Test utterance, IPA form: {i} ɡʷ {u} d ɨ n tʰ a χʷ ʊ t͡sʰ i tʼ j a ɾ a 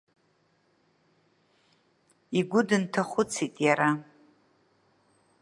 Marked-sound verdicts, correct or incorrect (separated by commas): correct, incorrect